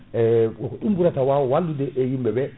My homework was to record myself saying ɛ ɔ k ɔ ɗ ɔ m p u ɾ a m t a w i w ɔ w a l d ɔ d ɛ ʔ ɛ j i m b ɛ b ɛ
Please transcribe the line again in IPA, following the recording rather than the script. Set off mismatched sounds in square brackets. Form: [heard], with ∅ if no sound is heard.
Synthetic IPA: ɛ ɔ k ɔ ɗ [u] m [b] u ɾ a [∅] t a w [a] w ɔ w a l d [u] d ɛ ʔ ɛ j i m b ɛ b ɛ